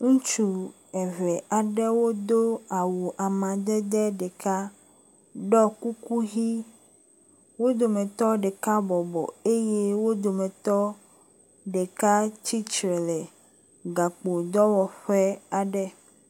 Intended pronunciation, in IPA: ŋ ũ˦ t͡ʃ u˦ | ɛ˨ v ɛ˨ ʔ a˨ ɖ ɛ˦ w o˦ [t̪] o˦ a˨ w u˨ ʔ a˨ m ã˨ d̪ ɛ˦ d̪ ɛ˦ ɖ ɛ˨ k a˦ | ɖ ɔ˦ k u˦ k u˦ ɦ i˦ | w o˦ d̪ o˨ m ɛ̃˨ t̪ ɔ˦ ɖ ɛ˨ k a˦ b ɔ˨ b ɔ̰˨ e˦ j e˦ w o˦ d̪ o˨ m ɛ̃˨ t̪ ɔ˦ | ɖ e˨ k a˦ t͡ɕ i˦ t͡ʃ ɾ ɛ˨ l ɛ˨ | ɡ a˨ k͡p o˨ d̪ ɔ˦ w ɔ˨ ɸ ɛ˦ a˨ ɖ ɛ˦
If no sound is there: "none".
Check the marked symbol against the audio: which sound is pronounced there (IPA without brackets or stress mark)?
d̪